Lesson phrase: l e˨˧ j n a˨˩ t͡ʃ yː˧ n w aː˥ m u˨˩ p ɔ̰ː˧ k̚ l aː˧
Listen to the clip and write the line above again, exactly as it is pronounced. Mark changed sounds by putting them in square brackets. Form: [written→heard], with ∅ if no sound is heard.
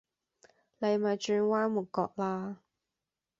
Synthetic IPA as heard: l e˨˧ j [n→m] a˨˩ t͡ʃ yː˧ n w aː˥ m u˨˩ [p→k] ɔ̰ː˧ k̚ l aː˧